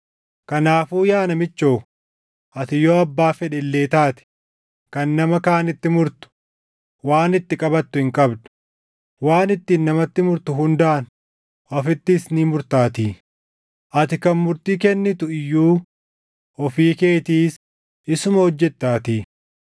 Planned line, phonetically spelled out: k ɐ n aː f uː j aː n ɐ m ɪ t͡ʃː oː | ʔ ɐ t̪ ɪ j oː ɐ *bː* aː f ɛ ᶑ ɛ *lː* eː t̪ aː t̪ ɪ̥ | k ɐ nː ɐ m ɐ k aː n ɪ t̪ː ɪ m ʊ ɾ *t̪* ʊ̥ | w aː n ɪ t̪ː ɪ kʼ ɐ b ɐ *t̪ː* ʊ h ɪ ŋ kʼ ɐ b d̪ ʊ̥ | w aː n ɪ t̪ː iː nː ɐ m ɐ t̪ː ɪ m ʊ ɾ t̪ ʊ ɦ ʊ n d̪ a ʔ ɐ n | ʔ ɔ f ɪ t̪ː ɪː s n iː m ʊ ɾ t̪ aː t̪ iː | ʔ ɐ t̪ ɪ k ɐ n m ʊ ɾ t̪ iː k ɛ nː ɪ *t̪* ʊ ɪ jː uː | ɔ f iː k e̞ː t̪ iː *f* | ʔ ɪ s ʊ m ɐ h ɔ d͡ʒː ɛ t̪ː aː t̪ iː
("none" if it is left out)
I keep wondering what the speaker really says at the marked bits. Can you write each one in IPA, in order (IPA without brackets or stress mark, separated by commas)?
bː, lː, t̪, t̪ː, t̪, s